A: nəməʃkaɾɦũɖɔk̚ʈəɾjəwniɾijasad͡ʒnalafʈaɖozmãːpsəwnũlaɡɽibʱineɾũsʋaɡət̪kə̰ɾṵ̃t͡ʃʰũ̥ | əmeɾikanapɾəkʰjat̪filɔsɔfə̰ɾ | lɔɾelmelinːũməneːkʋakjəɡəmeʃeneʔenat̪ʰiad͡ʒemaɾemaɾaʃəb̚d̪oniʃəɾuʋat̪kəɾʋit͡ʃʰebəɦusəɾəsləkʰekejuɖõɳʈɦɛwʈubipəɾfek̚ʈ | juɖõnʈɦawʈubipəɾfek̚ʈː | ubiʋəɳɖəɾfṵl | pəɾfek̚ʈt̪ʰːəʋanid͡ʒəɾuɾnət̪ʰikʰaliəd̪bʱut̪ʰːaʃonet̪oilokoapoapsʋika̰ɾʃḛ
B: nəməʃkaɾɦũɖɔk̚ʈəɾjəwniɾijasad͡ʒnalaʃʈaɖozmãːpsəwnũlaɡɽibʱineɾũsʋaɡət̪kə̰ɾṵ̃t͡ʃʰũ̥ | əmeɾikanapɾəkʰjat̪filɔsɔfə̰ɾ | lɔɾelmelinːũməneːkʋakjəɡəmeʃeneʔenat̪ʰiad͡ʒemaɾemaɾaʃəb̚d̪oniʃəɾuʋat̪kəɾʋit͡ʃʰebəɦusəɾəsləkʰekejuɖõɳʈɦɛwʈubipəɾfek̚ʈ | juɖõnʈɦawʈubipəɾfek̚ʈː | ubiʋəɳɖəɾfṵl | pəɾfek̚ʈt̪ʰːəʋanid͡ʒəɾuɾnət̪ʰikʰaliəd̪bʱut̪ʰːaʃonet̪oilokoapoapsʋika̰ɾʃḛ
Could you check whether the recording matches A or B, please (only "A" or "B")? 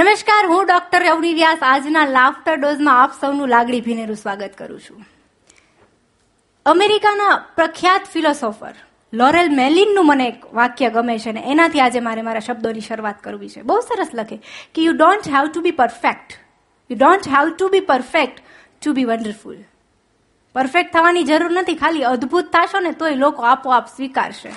A